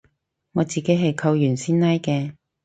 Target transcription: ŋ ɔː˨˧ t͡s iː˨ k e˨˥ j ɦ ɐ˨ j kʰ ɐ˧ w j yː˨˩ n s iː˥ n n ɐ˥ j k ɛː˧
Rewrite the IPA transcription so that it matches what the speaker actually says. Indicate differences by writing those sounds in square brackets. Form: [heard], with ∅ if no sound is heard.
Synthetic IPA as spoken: ŋ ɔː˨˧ t͡s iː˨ k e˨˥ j ɦ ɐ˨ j kʰ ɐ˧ w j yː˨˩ n s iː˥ n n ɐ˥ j k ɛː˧

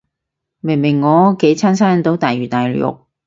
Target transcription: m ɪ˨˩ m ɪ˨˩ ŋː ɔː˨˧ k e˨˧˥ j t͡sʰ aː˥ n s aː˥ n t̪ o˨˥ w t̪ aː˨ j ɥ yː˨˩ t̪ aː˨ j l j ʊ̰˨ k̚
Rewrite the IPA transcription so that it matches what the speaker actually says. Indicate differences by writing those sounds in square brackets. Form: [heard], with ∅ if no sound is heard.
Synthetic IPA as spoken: m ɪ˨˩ m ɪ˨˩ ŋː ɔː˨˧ k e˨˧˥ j t͡sʰ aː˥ n s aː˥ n t̪ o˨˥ w t̪ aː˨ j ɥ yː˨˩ t̪ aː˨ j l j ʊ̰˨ k̚

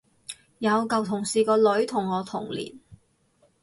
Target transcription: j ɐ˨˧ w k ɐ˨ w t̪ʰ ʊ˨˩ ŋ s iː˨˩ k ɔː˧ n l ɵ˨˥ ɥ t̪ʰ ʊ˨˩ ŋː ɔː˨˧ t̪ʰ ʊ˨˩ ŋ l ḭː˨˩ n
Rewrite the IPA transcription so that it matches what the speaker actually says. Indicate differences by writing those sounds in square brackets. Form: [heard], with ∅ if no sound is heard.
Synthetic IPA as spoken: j ɐ˨˧ w k ɐ˨ w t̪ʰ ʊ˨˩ ŋ s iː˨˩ k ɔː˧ [∅] l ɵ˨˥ ɥ t̪ʰ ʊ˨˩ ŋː ɔː˨˧ t̪ʰ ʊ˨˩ ŋ l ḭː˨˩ n

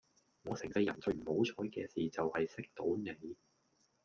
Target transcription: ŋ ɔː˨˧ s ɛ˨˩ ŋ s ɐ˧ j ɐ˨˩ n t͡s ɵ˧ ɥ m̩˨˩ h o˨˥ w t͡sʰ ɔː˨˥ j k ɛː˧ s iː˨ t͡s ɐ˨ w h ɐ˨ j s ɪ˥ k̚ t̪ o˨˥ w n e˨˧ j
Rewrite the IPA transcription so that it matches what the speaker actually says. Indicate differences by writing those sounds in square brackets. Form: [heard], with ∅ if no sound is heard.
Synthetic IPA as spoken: ŋ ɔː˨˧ s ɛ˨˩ ŋ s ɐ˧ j ɐ˨˩ n t͡s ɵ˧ ɥ m̩˨˩ h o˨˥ w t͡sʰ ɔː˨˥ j k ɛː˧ s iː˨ t͡s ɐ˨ w h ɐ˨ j s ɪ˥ k̚ t̪ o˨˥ w n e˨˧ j

